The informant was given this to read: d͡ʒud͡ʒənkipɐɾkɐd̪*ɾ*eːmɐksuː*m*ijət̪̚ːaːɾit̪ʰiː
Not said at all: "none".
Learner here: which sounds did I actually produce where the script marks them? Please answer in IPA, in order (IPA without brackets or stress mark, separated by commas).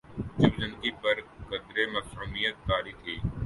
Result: ɾ, m